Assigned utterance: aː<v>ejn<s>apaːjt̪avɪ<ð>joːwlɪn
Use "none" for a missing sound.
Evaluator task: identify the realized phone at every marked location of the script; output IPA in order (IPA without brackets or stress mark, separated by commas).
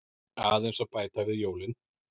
ð, s, ð